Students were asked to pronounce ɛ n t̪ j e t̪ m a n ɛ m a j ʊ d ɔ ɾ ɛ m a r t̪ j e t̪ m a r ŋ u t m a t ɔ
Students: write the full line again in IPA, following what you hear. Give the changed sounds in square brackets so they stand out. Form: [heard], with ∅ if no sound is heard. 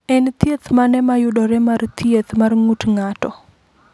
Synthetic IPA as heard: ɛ n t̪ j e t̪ m a n ɛ m a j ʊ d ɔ ɾ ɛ m a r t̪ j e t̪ m a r ŋ u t [ŋ] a t ɔ